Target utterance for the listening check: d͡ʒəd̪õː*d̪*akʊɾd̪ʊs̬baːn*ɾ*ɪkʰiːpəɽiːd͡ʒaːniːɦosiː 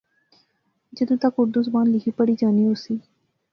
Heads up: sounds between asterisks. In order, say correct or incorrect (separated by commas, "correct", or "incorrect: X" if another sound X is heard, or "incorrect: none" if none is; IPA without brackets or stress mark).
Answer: incorrect: t̪, incorrect: l